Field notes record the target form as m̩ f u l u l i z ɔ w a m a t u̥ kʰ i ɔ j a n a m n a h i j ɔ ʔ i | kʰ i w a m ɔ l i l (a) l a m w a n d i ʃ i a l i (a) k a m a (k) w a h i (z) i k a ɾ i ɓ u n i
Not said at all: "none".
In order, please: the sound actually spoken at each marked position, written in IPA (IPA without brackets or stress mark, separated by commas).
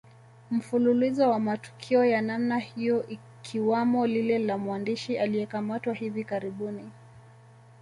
ɛ, ɛ, t, v